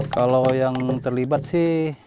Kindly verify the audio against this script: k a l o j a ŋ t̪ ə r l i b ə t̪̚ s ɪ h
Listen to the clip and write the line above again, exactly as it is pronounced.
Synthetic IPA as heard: k a l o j a ŋ t̪ ə r l i b a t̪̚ s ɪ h